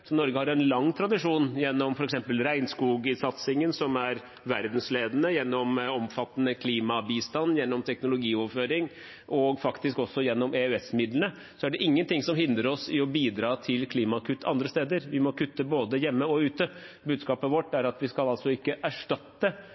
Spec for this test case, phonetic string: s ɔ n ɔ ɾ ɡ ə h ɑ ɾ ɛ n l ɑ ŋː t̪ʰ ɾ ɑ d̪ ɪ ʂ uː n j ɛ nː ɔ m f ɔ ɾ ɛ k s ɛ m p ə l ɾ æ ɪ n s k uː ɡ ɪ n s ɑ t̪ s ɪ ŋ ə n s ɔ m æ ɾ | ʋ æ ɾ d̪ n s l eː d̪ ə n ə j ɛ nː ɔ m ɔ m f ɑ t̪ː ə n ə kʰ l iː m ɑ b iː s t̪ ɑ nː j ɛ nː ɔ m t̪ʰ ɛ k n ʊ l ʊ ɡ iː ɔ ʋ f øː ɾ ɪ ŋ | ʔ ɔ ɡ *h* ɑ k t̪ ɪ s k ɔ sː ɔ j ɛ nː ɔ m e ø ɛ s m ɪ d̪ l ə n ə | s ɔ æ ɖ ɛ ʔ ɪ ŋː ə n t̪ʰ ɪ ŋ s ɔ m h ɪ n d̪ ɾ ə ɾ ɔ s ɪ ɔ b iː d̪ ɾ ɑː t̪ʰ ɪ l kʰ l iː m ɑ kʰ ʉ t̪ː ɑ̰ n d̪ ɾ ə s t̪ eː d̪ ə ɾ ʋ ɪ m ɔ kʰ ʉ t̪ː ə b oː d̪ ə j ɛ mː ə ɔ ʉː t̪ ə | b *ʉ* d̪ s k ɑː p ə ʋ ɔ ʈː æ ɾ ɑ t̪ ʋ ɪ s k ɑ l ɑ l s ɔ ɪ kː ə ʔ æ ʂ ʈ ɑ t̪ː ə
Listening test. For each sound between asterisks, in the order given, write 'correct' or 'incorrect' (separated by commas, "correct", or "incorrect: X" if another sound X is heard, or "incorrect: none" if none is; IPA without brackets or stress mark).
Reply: incorrect: f, incorrect: ʉː